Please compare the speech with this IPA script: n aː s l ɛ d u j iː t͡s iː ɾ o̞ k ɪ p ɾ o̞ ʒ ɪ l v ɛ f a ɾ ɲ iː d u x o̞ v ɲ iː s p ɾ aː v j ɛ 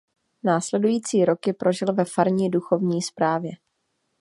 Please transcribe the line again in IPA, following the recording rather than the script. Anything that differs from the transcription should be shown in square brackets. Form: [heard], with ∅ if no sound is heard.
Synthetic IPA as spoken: n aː s l ɛ d u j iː t͡s iː ɾ o̞ k ɪ p ɾ o̞ ʒ ɪ l v ɛ f a ɾ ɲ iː d u x o̞ v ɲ iː s p ɾ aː v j ɛ